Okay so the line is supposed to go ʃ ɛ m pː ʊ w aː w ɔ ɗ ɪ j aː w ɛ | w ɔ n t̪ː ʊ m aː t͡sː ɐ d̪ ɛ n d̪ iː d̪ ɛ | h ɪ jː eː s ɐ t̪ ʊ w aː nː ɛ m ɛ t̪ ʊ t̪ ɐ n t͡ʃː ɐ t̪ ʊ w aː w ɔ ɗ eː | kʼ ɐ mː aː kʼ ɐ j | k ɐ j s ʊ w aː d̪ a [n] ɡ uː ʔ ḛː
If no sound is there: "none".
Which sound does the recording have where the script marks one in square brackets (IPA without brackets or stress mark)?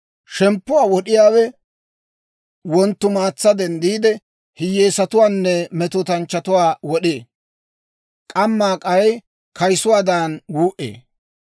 n